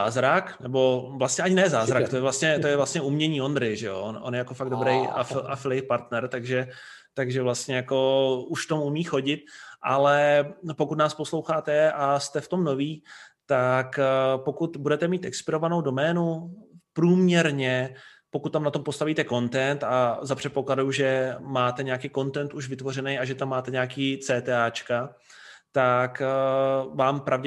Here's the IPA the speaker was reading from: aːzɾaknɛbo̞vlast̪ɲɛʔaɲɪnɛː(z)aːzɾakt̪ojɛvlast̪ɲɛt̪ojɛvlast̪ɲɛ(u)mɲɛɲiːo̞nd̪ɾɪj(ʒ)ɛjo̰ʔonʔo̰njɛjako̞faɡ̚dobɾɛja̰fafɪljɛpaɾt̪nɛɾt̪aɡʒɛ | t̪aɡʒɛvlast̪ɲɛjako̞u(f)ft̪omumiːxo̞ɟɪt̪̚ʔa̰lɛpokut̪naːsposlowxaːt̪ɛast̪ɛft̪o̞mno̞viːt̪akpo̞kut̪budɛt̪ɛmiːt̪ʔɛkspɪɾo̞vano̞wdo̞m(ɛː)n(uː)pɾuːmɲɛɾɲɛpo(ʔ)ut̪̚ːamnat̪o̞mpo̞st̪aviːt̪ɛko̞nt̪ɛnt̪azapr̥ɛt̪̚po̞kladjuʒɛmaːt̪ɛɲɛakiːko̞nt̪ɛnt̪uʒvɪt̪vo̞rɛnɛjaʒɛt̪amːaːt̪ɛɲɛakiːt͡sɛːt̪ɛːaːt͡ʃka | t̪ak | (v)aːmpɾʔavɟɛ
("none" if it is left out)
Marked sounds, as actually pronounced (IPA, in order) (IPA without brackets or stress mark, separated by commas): z, u, ʒ, ʃ, ɛː, u, k, v